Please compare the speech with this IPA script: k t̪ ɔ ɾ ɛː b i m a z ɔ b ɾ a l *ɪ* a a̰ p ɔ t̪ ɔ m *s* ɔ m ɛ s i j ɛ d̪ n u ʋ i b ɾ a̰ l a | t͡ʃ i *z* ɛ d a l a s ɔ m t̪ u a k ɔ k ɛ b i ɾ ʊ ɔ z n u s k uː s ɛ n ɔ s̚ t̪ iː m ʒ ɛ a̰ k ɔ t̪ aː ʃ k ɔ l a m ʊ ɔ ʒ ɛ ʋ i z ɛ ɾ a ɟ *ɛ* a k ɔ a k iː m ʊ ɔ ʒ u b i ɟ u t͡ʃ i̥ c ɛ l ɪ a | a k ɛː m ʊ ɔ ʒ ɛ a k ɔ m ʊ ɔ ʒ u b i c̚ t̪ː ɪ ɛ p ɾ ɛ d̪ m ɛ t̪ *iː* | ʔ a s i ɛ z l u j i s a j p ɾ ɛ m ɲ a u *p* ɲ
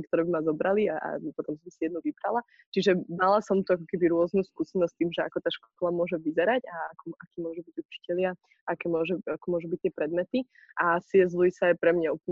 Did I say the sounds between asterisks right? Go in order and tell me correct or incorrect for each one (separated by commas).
incorrect, correct, incorrect, incorrect, incorrect, correct